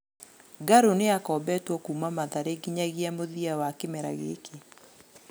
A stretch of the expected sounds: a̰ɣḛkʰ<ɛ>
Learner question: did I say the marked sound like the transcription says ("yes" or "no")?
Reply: no